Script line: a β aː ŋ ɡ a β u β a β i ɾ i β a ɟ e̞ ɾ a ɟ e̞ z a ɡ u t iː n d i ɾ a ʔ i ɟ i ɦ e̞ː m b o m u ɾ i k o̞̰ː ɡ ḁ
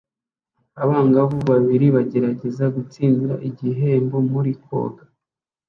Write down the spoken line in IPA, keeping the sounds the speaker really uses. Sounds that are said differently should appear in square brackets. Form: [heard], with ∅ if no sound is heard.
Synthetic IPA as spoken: a β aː ŋ ɡ a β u β a β i ɾ i β a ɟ e̞ ɾ a ɟ e̞ z a ɡ u [t͡s] iː n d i ɾ a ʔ i ɟ i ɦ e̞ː m b o m u ɾ i k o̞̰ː ɡ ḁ